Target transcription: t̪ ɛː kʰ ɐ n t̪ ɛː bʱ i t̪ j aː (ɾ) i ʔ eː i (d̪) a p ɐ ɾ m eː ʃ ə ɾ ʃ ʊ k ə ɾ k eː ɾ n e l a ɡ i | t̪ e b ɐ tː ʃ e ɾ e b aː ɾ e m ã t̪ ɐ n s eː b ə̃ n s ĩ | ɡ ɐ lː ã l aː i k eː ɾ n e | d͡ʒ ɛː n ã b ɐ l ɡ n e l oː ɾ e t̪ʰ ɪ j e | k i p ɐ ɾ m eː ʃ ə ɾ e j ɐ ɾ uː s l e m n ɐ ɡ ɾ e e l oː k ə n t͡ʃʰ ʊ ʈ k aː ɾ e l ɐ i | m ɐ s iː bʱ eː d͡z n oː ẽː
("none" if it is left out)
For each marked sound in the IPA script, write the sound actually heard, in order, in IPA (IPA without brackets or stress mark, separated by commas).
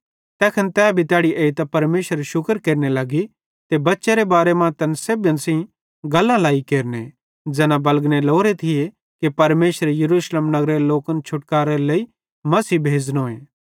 ɽ, t̪